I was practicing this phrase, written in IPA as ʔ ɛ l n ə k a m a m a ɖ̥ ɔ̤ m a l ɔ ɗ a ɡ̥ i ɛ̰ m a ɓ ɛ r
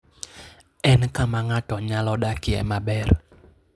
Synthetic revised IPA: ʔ ɛ n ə k a m a ŋ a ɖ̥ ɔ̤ ɲ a l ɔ ɗ a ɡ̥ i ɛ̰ m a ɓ ɛ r